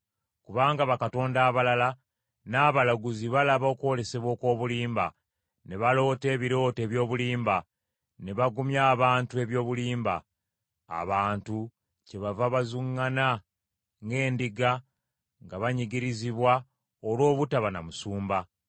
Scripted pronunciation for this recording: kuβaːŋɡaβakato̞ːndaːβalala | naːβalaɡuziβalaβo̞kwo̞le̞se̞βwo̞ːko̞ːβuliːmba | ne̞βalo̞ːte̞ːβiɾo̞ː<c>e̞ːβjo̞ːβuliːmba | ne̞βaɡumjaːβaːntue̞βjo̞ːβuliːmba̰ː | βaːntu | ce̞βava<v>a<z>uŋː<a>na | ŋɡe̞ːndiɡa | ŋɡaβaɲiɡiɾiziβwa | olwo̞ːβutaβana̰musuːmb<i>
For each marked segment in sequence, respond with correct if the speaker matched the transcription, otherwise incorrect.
incorrect, incorrect, correct, correct, incorrect

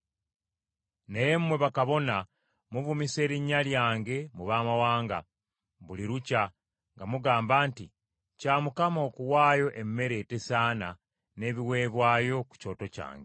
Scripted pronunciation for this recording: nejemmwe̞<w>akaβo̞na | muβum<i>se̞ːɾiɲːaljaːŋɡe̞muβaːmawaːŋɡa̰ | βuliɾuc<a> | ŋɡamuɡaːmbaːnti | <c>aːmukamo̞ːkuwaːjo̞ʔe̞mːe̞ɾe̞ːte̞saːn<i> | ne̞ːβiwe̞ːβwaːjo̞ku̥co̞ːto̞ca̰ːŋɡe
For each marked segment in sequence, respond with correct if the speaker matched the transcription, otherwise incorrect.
incorrect, correct, correct, correct, incorrect

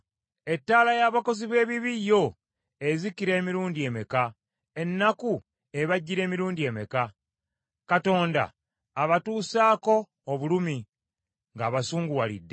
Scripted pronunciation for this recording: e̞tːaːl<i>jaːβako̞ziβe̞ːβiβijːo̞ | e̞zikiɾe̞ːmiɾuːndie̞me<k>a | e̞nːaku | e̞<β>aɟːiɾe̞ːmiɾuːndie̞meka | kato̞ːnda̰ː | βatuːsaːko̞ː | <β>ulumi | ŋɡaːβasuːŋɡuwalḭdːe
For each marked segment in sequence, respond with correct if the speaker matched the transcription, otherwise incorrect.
incorrect, correct, correct, correct

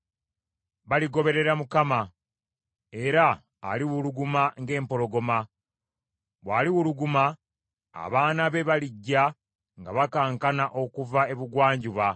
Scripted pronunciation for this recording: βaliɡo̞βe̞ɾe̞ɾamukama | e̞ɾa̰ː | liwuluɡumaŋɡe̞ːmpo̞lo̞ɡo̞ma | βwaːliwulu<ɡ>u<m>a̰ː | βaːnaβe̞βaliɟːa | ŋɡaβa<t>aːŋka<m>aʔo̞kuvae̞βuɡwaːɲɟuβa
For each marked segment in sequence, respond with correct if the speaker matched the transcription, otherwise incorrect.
correct, correct, incorrect, incorrect

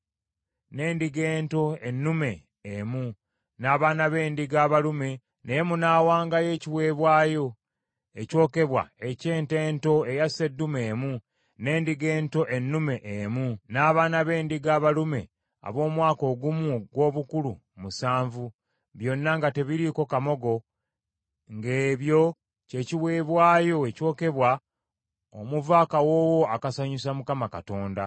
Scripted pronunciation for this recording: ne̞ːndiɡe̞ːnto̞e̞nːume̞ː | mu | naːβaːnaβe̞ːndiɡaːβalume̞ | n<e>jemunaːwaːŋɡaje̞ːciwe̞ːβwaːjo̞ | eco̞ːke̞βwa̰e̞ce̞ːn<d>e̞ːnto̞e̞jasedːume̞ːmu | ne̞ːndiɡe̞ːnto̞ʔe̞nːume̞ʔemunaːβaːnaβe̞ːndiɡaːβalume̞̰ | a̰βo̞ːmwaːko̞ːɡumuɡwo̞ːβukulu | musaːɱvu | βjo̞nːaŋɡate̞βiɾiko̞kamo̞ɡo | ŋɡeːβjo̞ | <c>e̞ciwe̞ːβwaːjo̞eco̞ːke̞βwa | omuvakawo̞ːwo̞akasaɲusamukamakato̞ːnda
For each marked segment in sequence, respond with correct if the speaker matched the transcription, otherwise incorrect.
correct, incorrect, correct

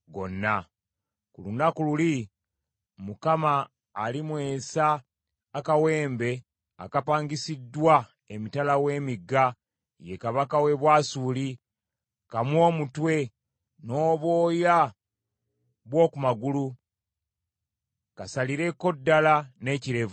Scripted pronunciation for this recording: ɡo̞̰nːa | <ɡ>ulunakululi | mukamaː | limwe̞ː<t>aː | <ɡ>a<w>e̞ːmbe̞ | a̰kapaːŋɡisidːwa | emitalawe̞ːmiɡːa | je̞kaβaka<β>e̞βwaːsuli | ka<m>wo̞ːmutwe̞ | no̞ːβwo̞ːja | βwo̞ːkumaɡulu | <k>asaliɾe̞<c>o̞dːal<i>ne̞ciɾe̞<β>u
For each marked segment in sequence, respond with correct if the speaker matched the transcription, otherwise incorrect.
incorrect, incorrect, incorrect, correct, incorrect, correct, correct, incorrect, incorrect, incorrect

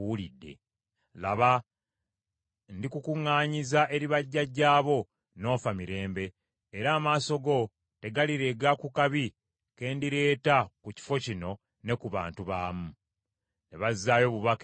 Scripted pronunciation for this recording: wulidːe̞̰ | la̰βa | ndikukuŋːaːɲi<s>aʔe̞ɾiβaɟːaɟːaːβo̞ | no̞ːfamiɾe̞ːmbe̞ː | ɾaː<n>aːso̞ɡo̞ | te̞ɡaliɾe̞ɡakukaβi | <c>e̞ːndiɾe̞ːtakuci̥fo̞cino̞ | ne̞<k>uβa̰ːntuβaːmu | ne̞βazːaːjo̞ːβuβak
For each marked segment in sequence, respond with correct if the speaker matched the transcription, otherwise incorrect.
incorrect, incorrect, incorrect, correct

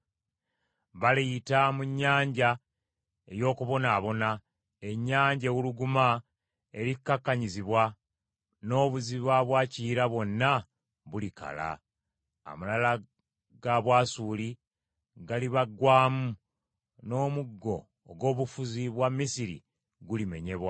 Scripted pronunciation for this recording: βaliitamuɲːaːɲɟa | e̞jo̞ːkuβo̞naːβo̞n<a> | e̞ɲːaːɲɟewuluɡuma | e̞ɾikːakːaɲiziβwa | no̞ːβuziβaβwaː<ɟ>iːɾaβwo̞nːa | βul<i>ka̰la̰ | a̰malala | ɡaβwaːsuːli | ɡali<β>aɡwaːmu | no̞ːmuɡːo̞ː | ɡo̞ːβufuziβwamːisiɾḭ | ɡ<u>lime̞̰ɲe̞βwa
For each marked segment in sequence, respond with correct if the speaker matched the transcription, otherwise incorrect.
correct, incorrect, correct, correct, correct

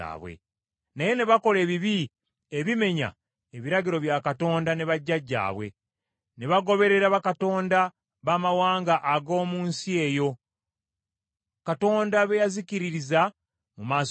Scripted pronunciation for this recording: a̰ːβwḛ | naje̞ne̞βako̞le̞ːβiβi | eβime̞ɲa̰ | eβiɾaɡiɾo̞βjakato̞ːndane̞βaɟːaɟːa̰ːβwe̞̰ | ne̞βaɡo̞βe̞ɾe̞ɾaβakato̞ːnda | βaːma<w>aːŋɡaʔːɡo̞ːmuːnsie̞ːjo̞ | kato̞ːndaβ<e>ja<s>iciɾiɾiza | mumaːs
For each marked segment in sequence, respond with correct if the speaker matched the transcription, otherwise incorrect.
correct, correct, incorrect

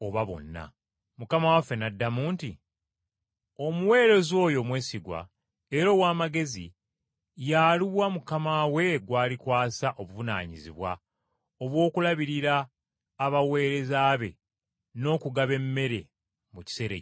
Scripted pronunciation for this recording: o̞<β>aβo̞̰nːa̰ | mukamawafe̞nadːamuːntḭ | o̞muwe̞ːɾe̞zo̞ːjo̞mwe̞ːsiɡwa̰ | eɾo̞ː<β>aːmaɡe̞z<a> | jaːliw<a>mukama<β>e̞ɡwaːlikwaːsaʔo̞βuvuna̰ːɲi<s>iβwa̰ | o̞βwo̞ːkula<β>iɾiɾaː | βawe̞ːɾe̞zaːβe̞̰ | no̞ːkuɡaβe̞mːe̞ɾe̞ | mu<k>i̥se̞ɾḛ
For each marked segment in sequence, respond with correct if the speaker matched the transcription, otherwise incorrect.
correct, incorrect, incorrect, correct, incorrect, incorrect, correct, incorrect

